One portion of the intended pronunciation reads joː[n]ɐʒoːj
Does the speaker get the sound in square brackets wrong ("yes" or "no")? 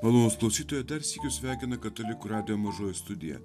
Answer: yes